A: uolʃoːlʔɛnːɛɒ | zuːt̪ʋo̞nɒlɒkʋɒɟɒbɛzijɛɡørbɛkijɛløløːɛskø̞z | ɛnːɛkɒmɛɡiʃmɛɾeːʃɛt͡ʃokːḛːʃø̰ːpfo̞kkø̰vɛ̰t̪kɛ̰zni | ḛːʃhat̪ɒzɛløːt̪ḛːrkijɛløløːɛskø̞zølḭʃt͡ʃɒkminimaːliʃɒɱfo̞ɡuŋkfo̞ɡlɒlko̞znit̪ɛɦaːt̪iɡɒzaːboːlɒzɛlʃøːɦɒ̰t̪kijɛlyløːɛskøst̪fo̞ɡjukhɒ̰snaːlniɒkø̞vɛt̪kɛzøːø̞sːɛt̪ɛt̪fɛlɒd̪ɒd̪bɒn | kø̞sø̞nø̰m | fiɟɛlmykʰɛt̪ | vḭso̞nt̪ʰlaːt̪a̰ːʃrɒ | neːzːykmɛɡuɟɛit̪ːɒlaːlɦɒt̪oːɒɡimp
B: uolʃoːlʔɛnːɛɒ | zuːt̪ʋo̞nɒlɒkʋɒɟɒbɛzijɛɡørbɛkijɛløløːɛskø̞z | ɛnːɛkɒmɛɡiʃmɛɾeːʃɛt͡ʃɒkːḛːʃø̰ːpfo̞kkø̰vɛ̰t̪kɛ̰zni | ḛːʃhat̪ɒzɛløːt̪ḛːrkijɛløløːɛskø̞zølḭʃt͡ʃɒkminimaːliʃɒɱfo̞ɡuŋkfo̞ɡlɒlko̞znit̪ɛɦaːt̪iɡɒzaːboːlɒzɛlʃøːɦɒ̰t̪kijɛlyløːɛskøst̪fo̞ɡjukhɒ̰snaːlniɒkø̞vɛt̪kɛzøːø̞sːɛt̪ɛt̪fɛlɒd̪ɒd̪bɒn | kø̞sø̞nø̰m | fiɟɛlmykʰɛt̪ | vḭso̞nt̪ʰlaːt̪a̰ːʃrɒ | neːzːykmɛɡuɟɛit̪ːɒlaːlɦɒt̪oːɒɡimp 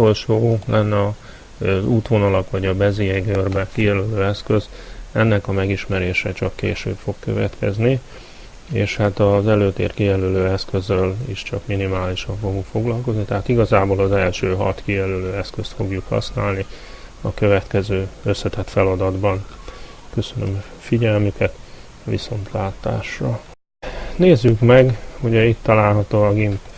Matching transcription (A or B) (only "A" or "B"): B